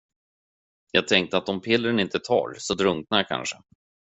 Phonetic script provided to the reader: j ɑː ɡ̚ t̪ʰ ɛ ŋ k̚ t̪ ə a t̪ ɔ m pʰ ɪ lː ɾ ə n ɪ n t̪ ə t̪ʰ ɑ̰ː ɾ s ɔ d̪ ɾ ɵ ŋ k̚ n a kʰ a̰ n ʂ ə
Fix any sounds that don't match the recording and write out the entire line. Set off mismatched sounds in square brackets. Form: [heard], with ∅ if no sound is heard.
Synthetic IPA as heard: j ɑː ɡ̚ t̪ʰ ɛ ŋ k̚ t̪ ə a t̪ ɔ m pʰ ɪ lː ɾ ə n ɪ n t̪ ə t̪ʰ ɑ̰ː ɾ s ɔ d̪ ɾ ɵ ŋ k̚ n a kʰ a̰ n ʂ ə